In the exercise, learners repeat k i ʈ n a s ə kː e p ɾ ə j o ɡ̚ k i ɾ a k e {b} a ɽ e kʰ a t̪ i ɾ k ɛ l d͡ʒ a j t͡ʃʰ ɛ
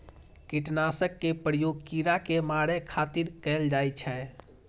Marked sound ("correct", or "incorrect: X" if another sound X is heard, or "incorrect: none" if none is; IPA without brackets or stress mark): incorrect: m